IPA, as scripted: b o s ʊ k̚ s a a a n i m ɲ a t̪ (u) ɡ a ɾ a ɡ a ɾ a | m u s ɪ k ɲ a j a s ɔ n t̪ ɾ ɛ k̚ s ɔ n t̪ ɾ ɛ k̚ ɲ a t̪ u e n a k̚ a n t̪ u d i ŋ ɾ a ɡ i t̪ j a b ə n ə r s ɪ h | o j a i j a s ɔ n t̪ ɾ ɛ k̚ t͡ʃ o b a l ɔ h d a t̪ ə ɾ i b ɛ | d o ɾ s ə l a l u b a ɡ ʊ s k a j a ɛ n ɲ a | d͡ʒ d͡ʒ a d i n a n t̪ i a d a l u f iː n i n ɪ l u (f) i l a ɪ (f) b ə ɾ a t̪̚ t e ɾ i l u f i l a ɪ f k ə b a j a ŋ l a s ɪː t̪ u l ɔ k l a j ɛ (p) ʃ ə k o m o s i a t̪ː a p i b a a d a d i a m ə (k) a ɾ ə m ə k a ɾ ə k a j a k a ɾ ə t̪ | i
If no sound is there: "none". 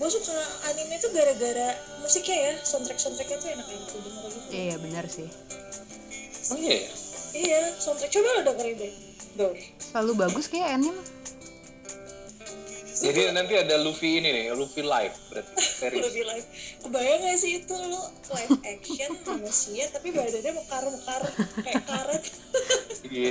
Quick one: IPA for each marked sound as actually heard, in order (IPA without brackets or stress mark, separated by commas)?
u, f, f, k, k